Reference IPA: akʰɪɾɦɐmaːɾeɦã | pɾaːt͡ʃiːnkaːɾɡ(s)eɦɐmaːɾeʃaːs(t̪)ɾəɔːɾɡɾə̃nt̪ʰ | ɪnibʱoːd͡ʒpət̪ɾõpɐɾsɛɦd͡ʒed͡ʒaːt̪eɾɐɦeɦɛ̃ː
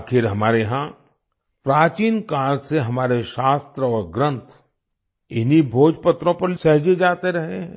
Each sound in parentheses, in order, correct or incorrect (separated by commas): correct, correct